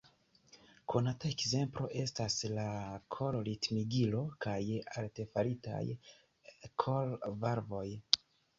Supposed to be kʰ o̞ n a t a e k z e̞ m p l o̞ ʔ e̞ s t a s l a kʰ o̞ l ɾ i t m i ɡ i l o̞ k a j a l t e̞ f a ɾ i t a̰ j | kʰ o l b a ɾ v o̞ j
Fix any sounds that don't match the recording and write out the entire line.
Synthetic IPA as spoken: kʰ o̞ n a t a e k z e̞ m p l o̞ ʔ e̞ s t a s l a kʰ o̞ l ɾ i t m i ɡ i l o̞ k a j a l t e̞ f a ɾ i t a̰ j | kʰ o l v a ɾ v o̞ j